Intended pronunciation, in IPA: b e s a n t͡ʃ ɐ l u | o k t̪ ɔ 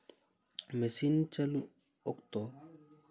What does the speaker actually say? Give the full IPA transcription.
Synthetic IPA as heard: m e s i n t͡ʃ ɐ l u | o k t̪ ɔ